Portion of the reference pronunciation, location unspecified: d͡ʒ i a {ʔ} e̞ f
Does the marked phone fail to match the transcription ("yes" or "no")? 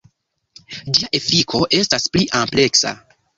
no